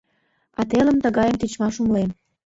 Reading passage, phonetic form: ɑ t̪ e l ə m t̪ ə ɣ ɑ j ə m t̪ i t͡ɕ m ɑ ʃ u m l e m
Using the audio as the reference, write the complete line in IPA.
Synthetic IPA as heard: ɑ t̪ e l ə m t̪ ə ɣ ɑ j ə m t̪ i t͡ɕ m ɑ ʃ u m l e m